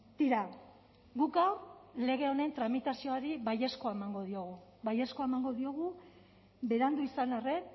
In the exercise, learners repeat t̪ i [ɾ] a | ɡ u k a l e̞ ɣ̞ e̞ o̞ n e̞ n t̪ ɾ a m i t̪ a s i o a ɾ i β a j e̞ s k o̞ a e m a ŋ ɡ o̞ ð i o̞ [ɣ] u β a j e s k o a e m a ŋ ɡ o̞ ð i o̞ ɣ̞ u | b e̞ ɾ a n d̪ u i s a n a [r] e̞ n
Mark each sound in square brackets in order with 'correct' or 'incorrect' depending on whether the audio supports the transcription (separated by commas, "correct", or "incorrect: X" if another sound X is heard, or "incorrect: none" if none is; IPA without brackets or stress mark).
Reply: correct, correct, correct